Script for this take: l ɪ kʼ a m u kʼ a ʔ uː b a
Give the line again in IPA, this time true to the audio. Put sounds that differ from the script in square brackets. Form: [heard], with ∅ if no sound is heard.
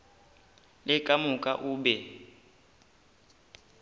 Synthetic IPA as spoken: l ɪ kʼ a m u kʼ a ʔ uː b [ɛ]